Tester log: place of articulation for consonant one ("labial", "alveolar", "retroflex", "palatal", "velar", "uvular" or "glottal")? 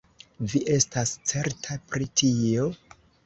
labial